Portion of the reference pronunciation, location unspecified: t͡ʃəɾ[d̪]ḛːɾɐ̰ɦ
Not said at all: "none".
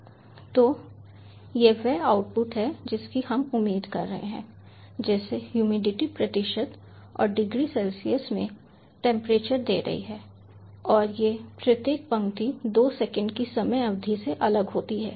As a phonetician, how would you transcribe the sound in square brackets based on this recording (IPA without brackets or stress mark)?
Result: d̪